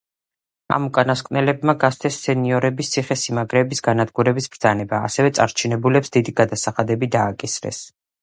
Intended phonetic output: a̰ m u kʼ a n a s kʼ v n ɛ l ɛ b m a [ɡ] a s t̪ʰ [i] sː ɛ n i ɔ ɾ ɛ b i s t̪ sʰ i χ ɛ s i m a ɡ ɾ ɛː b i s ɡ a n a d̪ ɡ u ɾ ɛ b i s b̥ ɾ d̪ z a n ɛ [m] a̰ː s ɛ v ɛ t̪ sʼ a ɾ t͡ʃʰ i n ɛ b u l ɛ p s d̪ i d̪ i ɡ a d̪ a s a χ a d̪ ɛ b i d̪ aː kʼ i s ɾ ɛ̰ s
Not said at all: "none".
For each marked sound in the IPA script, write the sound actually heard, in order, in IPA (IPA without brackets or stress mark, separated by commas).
ɡ, ɛ, b